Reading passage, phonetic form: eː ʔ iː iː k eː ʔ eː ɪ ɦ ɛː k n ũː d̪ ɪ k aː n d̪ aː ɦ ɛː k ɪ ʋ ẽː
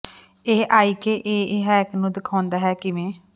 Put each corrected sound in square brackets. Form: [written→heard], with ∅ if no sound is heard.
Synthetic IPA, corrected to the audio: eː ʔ [iː→aː] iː k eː ʔ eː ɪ ɦ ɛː k n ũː d̪ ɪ [k→kʰ] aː n d̪ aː ɦ ɛː k ɪ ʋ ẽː